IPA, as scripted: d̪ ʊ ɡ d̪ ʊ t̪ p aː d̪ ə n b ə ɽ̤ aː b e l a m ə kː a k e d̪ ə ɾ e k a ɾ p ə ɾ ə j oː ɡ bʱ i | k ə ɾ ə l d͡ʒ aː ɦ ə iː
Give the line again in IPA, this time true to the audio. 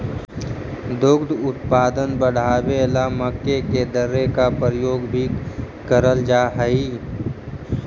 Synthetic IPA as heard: d̪ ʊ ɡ d̪ ʊ t̪ p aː d̪ ə n b ə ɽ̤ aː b e l a m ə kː e k e d̪ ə ɾ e k a p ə ɾ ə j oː ɡ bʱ i | k ə ɾ ə l d͡ʒ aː ɦ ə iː